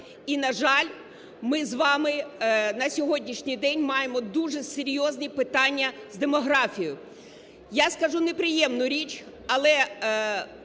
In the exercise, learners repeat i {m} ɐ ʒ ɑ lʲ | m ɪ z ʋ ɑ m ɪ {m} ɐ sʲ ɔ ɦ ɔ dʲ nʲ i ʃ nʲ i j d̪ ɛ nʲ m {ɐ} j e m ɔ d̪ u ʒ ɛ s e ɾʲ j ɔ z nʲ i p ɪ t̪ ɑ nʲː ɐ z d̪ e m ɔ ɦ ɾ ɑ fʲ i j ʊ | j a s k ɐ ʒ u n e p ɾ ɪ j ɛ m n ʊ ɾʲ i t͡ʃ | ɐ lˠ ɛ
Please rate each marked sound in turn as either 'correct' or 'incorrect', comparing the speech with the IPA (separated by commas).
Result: incorrect, incorrect, incorrect